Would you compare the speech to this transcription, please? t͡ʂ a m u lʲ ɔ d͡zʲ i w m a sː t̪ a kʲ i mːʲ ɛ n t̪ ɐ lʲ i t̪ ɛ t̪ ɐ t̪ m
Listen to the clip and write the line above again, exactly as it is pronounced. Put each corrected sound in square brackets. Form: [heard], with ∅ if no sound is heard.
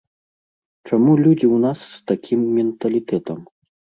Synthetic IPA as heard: t͡ʂ a m u lʲ [u] d͡zʲ i w [n] a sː t̪ a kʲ i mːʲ ɛ n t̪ ɐ lʲ i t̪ ɛ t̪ ɐ [∅] m